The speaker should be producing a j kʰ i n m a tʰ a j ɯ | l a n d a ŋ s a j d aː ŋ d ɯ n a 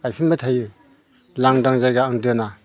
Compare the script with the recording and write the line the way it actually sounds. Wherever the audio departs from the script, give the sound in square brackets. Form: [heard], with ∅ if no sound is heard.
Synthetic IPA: a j [pʰ] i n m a tʰ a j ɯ | l a [ŋ] d a ŋ [z] a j [ɡ] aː ŋ d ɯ n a

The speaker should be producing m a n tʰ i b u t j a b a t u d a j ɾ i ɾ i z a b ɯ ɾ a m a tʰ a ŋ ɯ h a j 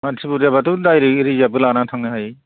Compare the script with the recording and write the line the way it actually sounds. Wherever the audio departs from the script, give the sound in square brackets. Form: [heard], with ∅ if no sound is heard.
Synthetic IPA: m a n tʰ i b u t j a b a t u d a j ɾ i ɾ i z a b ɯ [l] a [n] a tʰ a ŋ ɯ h a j

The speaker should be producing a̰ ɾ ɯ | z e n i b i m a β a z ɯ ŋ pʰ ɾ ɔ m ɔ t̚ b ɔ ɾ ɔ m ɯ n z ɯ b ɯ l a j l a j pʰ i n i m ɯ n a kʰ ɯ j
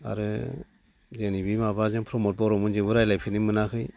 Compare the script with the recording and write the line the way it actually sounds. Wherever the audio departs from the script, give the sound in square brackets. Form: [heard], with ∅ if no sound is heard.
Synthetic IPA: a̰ ɾ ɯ | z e n i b i m a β a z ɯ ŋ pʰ ɾ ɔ m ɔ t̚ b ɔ ɾ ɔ m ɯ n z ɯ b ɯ [ɾ] a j l a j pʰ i n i m ɯ n a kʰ ɯ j

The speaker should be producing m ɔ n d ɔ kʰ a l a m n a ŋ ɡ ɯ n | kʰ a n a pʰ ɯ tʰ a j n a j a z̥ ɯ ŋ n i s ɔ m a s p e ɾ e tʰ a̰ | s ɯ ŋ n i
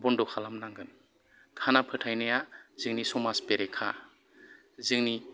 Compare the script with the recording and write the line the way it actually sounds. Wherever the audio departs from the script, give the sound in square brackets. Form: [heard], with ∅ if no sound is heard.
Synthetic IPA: [b] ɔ n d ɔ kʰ a l a m n a ŋ ɡ ɯ n | kʰ a n a pʰ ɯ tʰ a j n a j a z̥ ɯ ŋ n i s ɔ m a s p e ɾ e [kʰ] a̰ | [z] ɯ ŋ n i

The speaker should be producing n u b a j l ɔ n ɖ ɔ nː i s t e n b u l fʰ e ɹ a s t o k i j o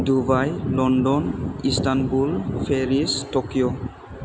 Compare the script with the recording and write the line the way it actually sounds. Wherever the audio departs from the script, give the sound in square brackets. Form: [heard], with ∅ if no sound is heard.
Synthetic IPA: [d] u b a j l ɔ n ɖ ɔ [n] i s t [a] n b u l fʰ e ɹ [i] s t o k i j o

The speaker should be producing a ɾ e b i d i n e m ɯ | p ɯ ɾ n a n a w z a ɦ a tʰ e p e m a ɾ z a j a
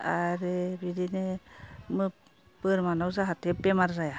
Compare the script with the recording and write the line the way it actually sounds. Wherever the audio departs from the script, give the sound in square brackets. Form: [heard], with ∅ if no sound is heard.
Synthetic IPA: a ɾ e b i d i n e m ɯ | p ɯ ɾ [m] a n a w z a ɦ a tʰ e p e m a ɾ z a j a

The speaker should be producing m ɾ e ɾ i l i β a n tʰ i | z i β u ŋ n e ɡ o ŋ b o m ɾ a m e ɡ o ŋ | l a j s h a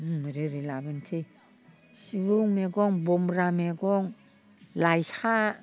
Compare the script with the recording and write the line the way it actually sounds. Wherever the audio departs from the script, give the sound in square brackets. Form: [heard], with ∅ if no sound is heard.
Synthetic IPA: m ɾ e ɾ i l [a] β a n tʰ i | [s] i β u ŋ [m] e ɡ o ŋ b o m ɾ a m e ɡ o ŋ | l a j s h a

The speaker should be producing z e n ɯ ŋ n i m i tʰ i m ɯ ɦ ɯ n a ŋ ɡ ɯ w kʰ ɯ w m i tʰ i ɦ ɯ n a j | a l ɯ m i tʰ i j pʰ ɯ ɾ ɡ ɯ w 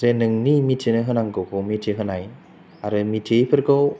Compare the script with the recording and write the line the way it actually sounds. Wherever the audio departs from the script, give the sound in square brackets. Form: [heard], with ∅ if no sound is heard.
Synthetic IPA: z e n ɯ ŋ n i m i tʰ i [n] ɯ ɦ ɯ n a ŋ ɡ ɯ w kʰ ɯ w m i tʰ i ɦ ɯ n a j | a [ɾ] ɯ m i tʰ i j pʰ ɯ ɾ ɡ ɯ w

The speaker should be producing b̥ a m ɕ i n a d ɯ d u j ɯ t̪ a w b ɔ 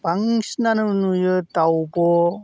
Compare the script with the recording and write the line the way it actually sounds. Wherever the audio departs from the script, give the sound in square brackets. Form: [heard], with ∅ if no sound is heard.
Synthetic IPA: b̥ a [ŋ] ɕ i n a [n] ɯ [n] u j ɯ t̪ a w b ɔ

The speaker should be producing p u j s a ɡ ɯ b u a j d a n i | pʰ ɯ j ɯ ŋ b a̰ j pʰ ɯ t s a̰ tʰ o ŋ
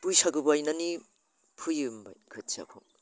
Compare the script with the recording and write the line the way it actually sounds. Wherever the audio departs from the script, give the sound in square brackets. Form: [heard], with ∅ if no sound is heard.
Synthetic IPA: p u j s a ɡ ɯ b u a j [n] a n i | pʰ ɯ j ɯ [m] b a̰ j [kʰ] ɯ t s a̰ [kʰ] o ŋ

